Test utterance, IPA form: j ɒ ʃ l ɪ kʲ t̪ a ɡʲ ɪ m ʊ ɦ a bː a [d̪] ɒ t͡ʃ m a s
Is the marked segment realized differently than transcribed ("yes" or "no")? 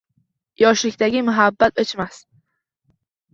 yes